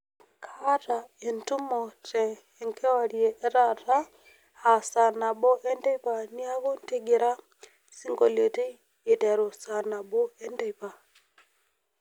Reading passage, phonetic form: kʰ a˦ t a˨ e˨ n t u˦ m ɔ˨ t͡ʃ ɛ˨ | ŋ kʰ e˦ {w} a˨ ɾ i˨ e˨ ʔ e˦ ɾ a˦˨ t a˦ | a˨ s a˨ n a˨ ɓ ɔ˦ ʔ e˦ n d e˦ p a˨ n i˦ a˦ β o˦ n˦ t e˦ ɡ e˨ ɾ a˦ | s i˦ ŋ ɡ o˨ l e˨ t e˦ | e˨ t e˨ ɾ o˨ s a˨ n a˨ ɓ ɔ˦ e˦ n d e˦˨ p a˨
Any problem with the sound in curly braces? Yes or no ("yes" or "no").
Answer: no